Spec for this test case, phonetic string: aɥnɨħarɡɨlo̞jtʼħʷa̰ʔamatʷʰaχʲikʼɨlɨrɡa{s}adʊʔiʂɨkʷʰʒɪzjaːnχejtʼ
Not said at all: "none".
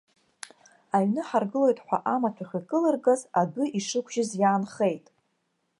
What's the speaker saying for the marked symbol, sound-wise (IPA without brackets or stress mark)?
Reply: z